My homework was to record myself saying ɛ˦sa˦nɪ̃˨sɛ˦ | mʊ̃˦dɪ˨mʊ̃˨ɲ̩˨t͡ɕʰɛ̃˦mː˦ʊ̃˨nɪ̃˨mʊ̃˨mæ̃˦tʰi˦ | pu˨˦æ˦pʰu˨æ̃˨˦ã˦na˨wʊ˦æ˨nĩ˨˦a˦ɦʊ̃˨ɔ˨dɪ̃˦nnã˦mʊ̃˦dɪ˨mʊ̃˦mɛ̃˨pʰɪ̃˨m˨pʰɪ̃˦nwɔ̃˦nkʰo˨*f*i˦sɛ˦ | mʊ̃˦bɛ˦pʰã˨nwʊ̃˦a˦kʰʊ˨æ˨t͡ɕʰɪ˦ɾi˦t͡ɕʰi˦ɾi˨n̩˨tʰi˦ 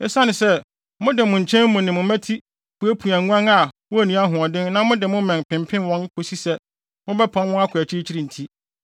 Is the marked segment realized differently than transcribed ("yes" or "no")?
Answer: yes